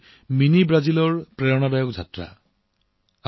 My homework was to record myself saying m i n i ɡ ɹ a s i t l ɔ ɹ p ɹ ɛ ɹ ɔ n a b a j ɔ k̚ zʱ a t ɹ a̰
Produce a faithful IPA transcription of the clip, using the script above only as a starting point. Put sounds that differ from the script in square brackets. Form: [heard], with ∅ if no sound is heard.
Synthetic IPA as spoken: m i n i [b] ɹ a [z] i [∅] l ɔ ɹ p ɹ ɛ ɹ ɔ n a b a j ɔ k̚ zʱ a t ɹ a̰